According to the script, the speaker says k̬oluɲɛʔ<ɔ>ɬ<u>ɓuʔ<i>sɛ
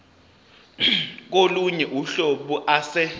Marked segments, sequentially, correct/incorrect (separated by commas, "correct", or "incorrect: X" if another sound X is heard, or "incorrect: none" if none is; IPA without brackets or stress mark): incorrect: u, incorrect: o, incorrect: a